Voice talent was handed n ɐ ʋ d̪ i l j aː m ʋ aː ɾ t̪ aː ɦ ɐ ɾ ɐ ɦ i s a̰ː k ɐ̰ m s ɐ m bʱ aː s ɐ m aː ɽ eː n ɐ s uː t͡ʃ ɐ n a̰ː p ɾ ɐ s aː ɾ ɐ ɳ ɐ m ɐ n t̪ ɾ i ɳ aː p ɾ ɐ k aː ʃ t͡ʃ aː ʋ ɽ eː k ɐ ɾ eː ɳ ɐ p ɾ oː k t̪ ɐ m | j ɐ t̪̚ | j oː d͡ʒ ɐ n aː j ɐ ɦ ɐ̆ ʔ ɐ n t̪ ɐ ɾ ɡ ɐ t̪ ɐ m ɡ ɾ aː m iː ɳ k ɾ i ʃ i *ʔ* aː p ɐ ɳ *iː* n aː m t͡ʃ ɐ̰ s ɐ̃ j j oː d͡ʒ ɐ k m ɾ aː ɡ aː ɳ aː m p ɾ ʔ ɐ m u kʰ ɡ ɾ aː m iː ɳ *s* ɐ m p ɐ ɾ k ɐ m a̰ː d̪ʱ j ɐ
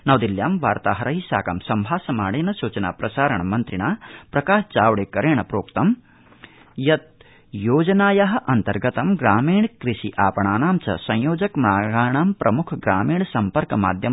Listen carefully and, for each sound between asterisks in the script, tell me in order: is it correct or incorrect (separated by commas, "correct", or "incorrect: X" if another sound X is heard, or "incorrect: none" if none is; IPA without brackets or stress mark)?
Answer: correct, incorrect: aː, correct